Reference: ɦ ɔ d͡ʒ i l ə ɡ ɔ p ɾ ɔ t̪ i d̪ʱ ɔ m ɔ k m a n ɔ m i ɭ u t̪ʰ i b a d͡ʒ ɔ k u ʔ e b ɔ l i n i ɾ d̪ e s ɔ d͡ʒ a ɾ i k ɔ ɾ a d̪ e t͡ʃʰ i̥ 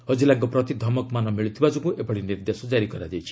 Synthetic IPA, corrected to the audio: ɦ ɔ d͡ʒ i l a ɡ ɔ p ɾ ɔ t̪ i d̪ʱ ɔ m ɔ k m a n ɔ m i ɭ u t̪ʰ i b a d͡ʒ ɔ k u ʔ e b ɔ ɽ i n i ɾ d̪ e s ɔ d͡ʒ a ɾ i k ɔ ɾ a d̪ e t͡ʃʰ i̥